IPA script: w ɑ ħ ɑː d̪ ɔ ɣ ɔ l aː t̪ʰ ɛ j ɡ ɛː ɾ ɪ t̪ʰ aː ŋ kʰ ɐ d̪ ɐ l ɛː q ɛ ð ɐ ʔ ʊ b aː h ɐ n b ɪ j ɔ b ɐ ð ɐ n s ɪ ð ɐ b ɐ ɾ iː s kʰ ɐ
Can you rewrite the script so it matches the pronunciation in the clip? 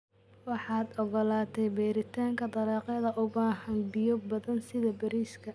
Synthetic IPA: w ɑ ħ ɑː d̪ ɔ ɣ ɔ l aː t̪ʰ ɛ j b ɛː ɾ ɪ t̪ʰ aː ŋ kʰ ɐ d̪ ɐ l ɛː q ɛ ð ɐ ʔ ʊ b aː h ɐ n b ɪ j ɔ b ɐ ð ɐ n s ɪ ð ɐ b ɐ ɾ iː s kʰ ɐ